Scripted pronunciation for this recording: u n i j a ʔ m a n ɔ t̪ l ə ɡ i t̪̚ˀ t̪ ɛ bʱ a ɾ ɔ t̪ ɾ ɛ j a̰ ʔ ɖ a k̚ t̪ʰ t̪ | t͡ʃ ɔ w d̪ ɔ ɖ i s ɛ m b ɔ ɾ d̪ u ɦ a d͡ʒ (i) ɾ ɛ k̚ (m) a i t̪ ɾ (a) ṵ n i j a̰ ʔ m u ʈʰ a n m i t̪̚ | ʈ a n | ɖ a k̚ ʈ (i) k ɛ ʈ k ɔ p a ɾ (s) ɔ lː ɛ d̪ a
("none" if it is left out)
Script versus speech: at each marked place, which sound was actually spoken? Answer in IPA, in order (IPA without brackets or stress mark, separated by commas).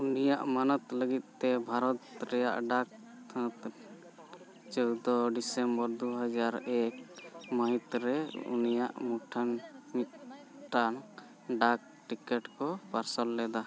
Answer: a, m, ɛ, i, s